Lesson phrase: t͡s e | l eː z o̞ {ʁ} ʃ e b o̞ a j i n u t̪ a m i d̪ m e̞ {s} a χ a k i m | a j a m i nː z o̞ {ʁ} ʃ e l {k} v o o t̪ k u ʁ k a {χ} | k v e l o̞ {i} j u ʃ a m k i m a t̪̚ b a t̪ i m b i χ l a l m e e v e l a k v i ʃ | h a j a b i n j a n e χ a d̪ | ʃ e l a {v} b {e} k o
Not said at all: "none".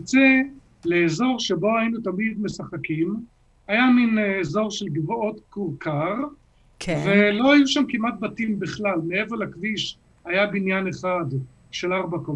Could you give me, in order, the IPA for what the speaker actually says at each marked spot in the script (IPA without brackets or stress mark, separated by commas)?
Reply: ʁ, s, ʁ, ɡ, ʁ, a, ʁ, a